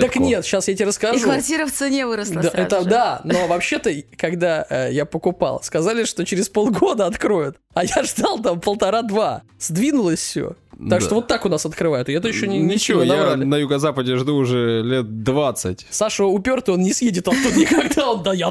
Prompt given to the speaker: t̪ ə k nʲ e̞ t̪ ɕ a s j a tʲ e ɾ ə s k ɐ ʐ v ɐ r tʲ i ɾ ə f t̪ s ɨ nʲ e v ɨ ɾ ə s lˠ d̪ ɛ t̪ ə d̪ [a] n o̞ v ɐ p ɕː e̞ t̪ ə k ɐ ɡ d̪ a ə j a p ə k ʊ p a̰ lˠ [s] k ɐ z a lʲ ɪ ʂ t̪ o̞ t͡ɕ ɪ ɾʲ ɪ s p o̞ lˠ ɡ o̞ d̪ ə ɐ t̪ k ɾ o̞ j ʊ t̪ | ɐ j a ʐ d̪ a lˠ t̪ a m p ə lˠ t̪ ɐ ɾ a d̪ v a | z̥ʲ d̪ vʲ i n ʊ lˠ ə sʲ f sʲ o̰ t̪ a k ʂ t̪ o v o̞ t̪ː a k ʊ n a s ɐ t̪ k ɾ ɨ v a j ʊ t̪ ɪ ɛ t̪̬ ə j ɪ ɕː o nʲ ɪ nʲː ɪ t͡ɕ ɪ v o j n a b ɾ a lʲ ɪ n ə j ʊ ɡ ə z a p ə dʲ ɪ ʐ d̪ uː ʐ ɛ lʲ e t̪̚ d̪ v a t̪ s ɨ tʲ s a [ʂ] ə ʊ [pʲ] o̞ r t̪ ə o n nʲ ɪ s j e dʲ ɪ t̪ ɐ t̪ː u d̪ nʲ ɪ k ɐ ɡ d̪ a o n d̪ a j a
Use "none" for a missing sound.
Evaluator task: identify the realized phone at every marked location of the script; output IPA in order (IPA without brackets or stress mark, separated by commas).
a, s, ʂ, pʲ